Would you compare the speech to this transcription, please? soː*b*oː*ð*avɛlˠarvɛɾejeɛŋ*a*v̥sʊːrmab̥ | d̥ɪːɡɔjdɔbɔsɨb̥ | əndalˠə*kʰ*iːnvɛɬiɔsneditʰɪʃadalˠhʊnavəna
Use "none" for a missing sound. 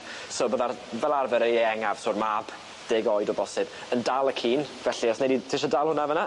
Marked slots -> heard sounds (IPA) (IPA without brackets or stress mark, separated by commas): b, ð, a, kʰ